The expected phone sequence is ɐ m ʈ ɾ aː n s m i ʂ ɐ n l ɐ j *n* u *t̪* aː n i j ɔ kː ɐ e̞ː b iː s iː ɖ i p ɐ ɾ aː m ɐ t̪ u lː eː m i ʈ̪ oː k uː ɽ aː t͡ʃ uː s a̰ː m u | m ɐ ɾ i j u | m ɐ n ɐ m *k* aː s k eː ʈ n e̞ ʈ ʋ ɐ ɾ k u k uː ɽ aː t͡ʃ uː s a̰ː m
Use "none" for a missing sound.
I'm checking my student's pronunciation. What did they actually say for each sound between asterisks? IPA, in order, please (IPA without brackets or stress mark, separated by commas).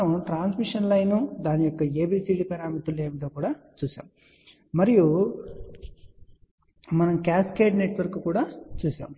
n, d̪, k